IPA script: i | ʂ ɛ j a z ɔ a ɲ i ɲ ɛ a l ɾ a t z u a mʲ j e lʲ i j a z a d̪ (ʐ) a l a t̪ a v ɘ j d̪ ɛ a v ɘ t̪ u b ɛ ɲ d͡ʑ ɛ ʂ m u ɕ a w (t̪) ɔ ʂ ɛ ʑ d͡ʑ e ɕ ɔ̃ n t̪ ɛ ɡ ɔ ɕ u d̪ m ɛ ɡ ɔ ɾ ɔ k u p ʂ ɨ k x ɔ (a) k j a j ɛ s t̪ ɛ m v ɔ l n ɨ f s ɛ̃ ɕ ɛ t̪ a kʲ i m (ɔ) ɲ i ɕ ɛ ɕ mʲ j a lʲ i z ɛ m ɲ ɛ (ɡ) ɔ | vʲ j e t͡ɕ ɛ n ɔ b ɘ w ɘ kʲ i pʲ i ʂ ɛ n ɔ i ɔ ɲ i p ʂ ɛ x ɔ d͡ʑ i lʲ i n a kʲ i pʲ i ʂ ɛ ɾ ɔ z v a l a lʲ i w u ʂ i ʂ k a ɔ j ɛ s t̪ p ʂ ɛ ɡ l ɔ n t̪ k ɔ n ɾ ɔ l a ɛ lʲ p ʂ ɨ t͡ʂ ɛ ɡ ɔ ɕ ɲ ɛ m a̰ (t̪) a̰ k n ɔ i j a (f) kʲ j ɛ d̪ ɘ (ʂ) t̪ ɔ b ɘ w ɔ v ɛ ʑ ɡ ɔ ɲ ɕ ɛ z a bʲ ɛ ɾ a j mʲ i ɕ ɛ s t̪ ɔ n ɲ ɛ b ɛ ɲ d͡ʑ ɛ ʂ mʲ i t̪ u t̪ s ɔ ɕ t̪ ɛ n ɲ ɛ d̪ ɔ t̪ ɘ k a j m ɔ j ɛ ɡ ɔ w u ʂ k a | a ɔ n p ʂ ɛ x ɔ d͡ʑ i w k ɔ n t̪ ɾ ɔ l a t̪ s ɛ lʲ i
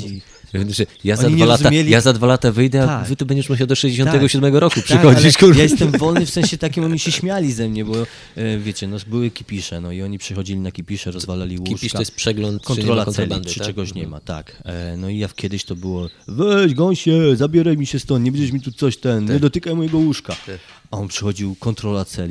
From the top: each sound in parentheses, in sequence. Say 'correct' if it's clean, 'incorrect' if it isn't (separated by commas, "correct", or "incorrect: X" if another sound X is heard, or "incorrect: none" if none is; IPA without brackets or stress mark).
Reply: incorrect: v, incorrect: d̪, incorrect: i, correct, incorrect: b, correct, correct, incorrect: ɕ